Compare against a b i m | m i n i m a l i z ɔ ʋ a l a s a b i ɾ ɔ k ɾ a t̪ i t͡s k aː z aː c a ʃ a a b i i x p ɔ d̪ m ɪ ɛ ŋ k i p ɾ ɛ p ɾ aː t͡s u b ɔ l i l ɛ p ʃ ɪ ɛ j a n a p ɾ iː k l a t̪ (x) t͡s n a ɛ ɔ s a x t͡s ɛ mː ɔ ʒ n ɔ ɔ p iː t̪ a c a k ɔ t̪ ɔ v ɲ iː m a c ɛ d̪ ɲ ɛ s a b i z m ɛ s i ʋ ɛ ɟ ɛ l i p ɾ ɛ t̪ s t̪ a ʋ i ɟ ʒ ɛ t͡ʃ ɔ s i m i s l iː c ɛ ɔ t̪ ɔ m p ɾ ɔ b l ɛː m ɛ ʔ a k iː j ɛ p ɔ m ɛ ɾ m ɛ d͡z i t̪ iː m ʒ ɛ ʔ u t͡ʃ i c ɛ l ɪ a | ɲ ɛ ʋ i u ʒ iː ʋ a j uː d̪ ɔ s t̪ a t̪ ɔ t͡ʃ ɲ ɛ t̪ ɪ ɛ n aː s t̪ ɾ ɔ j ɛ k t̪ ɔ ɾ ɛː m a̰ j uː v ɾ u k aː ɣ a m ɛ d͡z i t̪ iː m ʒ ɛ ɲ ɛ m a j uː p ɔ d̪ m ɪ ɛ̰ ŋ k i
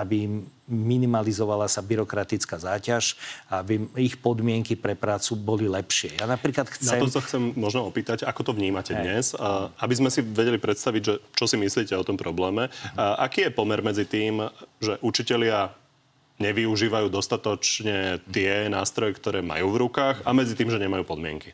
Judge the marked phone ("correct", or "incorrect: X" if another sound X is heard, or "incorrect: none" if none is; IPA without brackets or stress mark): correct